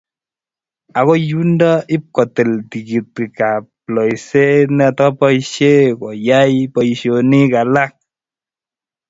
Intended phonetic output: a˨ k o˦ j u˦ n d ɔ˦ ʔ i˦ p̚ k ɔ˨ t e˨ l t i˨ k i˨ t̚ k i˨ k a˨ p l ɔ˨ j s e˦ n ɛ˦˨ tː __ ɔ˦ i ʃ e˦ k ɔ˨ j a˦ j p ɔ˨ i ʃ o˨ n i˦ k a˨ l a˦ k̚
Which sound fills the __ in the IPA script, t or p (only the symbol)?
p